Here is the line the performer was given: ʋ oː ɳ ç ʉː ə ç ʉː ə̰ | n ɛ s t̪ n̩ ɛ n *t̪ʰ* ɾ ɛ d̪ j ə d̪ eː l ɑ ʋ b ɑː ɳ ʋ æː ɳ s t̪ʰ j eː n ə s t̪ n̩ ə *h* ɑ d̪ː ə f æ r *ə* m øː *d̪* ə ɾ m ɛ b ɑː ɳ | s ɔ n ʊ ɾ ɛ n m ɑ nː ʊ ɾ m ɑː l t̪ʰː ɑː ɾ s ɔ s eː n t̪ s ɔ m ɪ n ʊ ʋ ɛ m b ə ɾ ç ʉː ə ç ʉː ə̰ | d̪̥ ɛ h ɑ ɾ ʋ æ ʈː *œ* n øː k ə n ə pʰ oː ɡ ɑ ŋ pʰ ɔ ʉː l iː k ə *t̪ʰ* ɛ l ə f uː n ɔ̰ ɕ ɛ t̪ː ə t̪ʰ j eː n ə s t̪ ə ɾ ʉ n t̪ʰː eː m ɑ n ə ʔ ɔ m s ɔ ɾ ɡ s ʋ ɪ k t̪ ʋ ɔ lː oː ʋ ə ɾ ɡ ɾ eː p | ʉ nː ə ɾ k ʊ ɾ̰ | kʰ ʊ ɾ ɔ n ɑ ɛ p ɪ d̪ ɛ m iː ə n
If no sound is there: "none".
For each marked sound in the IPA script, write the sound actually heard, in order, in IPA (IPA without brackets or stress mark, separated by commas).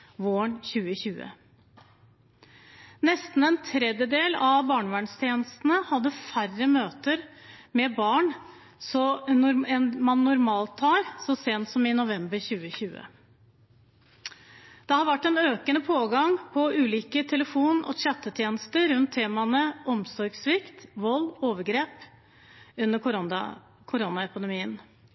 t̪ʰ, h, ə, t̪, ɛ, t̪ʰ